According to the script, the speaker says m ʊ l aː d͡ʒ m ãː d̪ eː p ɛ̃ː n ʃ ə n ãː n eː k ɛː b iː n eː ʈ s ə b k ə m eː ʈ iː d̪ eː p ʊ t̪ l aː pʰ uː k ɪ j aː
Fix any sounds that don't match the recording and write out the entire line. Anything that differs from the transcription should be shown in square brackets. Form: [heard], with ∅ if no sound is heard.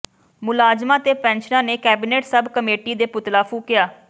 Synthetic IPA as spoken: m ʊ l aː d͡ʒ m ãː [t̪] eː p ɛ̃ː n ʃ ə n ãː n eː k ɛː b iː n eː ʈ s ə b k ə m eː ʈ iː d̪ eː p ʊ t̪ l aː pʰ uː k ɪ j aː